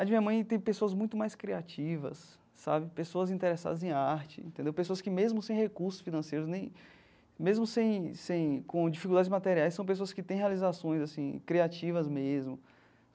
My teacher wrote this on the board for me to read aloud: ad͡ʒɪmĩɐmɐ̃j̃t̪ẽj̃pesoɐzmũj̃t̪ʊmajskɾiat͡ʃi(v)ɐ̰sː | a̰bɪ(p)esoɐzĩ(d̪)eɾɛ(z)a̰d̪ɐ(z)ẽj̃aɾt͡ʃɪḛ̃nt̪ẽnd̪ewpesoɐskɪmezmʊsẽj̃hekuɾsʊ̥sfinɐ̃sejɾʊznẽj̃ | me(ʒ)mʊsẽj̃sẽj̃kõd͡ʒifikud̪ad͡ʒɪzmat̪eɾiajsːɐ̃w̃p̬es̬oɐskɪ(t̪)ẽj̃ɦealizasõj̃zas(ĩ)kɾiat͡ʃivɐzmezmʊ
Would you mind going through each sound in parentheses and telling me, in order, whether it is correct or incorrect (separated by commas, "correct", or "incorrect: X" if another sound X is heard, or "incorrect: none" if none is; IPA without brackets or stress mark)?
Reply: correct, correct, incorrect: t̪, incorrect: s, correct, incorrect: z, correct, correct